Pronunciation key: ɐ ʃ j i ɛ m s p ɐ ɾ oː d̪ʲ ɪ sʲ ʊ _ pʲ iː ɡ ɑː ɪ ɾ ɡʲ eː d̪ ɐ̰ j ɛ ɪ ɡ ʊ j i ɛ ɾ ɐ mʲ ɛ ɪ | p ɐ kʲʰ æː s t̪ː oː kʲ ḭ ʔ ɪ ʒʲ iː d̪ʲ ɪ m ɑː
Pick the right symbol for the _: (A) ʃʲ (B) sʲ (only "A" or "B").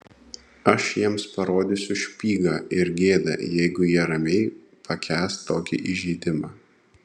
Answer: A